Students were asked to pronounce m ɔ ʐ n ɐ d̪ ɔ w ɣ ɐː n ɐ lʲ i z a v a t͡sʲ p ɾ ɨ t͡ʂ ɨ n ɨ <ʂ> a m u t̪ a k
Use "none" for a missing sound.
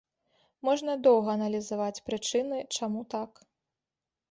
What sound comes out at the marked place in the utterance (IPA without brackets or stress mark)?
t͡ʂ